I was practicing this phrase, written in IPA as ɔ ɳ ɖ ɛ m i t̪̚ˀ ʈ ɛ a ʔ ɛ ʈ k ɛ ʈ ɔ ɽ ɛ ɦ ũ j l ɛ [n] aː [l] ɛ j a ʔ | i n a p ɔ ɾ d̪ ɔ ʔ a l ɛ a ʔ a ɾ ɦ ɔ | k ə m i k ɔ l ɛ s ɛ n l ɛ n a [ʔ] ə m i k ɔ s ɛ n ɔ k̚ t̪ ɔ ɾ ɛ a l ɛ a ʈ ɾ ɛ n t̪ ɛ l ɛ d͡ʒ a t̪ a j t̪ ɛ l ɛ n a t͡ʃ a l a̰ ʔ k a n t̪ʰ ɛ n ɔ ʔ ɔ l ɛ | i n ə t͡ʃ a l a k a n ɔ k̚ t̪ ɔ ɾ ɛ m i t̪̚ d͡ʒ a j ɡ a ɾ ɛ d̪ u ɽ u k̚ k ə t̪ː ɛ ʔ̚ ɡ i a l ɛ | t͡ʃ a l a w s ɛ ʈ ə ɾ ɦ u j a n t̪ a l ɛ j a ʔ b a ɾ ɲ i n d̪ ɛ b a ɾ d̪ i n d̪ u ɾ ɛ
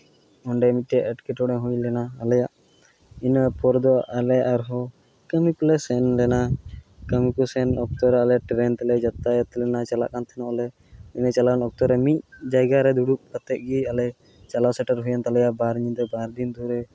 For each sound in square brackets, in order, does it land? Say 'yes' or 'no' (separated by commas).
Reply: yes, yes, no